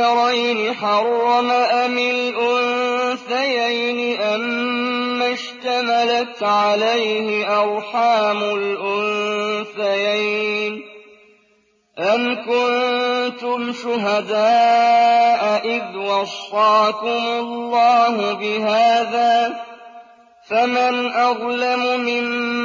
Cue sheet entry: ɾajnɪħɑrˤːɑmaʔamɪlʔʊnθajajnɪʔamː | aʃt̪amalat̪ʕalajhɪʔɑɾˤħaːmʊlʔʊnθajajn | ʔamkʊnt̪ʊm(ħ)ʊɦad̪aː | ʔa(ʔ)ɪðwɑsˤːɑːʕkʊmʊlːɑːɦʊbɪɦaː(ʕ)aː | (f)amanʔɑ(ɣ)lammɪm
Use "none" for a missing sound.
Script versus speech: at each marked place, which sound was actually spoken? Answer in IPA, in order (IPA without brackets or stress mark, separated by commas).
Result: ʃ, ʔ, ð, f, ɣ